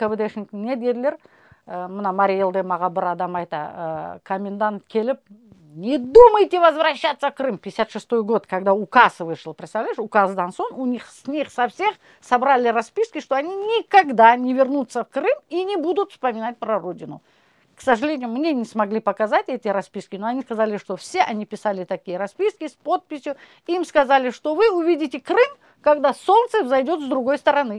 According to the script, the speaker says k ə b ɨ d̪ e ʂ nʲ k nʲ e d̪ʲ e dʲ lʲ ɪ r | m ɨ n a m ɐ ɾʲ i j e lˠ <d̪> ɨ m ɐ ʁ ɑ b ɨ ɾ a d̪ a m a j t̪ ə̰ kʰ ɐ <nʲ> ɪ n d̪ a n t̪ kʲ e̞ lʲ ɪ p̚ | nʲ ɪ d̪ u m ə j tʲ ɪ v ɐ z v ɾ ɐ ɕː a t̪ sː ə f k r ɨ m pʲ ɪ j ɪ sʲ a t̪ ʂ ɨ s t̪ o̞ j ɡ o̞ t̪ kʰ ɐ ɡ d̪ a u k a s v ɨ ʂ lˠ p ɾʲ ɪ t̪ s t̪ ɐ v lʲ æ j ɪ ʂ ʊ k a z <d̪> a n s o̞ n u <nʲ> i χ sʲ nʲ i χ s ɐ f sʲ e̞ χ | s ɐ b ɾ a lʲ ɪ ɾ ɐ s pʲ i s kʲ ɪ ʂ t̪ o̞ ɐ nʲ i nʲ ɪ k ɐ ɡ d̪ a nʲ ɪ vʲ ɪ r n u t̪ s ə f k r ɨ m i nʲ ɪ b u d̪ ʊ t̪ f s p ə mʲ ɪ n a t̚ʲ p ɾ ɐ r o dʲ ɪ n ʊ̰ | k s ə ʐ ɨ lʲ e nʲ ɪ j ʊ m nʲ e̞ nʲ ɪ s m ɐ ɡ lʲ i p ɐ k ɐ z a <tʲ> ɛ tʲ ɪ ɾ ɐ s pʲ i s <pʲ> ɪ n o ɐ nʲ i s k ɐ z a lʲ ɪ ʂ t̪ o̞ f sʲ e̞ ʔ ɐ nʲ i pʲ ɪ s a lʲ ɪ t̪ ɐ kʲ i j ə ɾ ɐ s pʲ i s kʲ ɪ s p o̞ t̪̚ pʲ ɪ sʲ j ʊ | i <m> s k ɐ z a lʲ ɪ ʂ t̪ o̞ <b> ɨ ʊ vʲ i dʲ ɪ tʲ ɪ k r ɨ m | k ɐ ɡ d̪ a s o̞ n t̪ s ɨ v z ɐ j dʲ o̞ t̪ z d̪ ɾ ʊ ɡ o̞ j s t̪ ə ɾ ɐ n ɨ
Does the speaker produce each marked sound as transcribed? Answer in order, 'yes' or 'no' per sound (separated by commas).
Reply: yes, no, yes, yes, yes, no, yes, no